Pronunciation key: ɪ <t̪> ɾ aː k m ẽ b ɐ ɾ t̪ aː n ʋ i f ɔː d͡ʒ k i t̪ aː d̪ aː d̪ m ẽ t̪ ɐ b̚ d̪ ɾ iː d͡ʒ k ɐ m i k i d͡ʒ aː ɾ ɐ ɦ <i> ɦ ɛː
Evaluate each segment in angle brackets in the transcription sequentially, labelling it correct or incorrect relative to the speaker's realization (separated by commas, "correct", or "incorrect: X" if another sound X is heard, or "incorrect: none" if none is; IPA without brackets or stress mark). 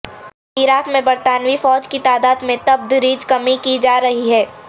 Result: incorrect: none, correct